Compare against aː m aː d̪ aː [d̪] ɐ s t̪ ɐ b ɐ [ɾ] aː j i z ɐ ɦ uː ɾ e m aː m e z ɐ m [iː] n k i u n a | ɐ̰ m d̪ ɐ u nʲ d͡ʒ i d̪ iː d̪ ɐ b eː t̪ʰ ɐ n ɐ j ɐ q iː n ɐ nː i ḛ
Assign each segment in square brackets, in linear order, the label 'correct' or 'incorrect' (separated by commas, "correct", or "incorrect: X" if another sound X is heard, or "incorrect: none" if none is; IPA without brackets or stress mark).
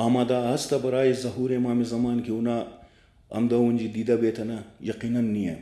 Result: incorrect: none, correct, incorrect: aː